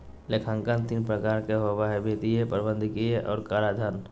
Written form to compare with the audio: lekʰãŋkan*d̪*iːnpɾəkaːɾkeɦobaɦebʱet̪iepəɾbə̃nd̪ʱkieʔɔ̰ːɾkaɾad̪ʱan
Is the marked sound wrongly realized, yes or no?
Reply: yes